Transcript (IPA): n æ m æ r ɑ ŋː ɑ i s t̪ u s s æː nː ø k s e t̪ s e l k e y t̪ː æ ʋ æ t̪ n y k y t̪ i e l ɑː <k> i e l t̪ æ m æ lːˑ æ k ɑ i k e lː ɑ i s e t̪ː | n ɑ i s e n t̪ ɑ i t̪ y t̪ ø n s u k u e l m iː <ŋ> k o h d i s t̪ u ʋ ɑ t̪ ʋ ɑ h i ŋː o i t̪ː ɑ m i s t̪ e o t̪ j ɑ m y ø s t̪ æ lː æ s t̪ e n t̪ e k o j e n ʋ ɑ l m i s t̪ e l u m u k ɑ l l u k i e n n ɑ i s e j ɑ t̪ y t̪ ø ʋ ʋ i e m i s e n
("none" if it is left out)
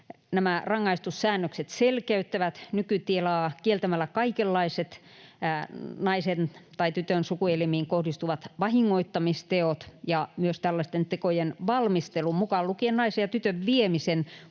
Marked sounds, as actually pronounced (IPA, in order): k, ŋ

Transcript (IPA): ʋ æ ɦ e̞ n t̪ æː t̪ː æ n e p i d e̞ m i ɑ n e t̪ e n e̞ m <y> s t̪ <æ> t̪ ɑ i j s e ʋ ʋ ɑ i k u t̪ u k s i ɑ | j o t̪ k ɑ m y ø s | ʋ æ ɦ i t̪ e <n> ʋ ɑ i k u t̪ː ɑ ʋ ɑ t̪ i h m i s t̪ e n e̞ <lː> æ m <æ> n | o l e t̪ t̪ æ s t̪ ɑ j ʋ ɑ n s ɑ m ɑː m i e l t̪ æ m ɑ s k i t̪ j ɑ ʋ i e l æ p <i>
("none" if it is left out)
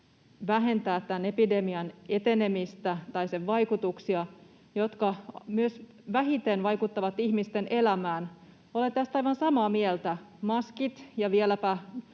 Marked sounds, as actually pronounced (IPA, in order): i, æ, n, l, æː, æ

